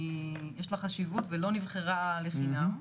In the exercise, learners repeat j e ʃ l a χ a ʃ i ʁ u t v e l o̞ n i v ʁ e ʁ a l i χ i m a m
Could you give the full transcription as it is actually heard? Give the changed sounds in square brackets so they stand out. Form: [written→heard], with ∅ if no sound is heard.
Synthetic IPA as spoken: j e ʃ l a χ a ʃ i [ʁ→v] u t v e l o̞ n i v [ʁ→χ] e ʁ a l [i→e] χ i [m→n] a m